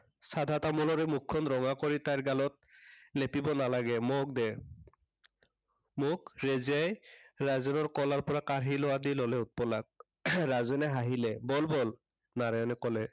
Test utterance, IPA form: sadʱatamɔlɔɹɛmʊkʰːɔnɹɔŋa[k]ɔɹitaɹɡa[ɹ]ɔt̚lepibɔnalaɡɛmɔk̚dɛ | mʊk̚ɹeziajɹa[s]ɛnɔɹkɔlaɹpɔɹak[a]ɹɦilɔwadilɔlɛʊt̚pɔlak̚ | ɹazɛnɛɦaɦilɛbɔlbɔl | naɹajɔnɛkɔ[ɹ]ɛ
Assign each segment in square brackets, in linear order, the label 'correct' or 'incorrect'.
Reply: correct, incorrect, incorrect, correct, incorrect

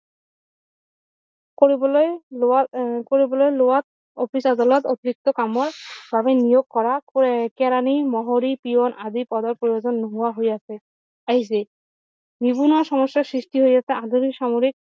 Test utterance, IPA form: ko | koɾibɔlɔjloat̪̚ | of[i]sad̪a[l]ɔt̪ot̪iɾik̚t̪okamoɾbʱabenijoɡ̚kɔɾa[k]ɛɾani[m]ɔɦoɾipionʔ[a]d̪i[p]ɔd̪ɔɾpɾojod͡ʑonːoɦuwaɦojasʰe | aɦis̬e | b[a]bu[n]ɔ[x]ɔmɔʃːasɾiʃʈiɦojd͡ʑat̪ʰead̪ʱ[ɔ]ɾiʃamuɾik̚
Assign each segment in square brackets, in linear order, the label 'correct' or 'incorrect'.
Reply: correct, correct, correct, correct, correct, correct, incorrect, correct, incorrect, incorrect

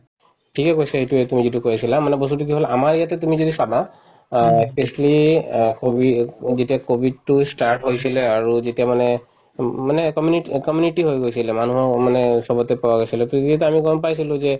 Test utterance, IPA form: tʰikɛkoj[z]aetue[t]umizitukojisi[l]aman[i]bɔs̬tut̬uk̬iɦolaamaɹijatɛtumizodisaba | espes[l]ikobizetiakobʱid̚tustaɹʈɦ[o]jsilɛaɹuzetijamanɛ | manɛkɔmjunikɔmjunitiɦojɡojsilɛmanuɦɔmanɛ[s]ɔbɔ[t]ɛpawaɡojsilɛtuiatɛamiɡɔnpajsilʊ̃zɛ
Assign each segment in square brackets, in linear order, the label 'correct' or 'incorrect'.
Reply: incorrect, correct, correct, incorrect, correct, correct, correct, correct

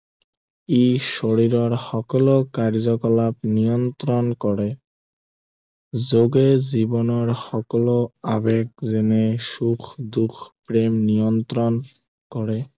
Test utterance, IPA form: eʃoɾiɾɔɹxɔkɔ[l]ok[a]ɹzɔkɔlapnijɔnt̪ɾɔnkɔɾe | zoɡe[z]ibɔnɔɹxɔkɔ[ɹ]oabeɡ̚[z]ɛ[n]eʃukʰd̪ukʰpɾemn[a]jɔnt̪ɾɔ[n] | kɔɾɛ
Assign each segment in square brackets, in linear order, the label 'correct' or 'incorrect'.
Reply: correct, correct, correct, incorrect, correct, correct, incorrect, correct

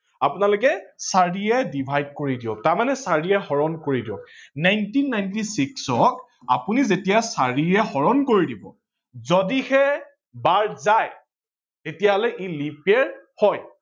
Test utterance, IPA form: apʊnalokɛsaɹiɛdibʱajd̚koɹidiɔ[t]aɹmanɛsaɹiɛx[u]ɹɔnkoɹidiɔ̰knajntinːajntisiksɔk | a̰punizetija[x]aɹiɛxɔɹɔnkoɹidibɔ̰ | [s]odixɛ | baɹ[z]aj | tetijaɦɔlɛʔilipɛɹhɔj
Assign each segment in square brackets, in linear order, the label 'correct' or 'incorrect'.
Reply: correct, incorrect, incorrect, incorrect, correct

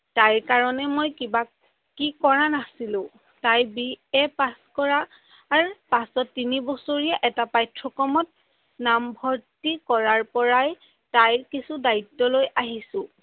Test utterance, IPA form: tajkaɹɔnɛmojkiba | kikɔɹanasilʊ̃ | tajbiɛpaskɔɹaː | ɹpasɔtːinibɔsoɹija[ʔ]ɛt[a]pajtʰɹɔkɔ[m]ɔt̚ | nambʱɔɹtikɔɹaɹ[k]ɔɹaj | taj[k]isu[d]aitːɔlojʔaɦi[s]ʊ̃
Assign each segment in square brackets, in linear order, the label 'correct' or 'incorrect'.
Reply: correct, correct, correct, incorrect, correct, correct, correct

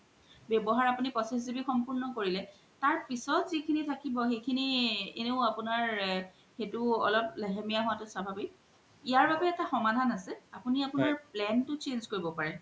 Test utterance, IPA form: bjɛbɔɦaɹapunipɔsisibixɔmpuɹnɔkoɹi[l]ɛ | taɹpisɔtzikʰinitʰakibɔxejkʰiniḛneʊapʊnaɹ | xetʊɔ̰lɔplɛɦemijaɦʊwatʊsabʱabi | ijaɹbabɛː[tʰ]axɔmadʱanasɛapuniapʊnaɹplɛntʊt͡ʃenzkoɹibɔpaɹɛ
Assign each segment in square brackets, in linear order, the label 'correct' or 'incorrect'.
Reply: correct, incorrect

